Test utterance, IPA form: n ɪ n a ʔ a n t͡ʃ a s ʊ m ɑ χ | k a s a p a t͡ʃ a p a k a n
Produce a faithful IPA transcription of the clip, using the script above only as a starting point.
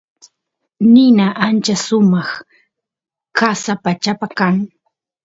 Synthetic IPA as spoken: n ɪ n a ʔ a n t͡ʃ a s ʊ m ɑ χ | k a s a p a t͡ʃ a p a k a ŋ